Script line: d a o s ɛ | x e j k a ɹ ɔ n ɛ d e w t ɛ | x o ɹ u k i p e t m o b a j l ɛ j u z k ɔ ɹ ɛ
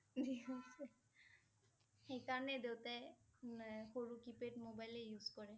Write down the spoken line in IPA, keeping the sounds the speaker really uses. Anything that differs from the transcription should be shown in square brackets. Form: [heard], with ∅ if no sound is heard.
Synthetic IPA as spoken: d [i] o s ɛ | x e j k a ɹ ɔ n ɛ d e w t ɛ | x o ɹ u k i p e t m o b a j l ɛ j u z k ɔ ɹ ɛ